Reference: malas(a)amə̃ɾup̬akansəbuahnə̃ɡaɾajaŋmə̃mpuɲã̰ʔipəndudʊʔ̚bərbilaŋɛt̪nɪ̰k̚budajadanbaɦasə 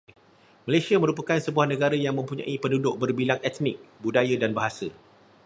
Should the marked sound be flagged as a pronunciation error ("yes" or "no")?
yes